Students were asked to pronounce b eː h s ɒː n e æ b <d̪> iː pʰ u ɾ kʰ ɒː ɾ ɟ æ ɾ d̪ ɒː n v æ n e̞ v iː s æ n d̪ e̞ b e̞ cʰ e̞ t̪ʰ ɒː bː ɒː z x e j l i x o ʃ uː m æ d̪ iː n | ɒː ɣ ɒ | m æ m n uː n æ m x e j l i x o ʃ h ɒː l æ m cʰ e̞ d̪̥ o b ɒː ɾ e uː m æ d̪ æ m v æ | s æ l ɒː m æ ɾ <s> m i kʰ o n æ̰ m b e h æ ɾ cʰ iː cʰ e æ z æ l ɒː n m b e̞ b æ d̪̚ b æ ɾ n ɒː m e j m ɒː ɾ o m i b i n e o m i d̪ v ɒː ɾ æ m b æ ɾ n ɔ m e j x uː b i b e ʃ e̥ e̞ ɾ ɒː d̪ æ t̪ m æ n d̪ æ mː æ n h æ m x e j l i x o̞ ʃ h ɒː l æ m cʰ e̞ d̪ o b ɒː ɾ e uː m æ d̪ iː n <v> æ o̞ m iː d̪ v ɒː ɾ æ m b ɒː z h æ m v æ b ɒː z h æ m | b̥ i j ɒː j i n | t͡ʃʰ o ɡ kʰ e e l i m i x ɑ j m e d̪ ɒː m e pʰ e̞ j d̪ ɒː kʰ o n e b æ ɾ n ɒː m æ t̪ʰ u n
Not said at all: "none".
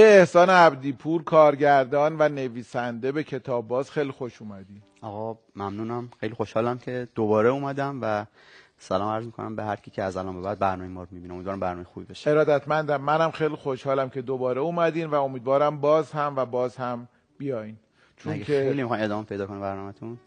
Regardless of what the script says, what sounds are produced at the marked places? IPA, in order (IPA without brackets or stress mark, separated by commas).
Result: d̪, z, v